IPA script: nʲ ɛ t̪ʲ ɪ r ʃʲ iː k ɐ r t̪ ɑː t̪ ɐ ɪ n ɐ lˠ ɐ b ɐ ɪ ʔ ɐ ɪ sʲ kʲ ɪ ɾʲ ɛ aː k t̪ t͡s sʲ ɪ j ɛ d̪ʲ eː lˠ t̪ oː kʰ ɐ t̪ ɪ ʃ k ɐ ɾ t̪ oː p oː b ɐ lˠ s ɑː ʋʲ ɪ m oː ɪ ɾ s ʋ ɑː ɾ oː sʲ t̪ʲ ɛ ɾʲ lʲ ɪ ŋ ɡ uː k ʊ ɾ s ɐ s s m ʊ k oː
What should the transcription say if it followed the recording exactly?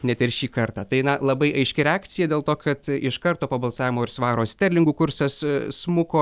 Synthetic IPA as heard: nʲ ɛ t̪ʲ ɪ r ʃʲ iː k ɐ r t̪ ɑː t̪ ɐ ɪ n ɐ lˠ ɐ b ɐ ɪ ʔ ɐ ɪ ʃʲ kʲ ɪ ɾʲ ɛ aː k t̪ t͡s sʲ ɪ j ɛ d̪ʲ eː lˠ t̪ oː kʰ ɐ t̪ ɪ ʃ k ɐ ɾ t̪ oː p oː b ɐ lˠ s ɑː ʋʲ ɪ m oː ɪ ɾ s ʋ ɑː ɾ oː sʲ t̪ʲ ɛ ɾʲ lʲ ɪ ŋ ɡ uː k ʊ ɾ s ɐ s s m ʊ k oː